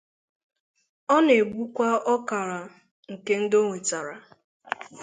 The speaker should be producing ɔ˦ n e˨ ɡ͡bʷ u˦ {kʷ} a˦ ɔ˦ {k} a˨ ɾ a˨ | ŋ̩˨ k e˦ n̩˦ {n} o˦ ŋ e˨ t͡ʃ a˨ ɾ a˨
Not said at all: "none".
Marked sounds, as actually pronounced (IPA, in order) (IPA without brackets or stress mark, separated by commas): kʷ, k, d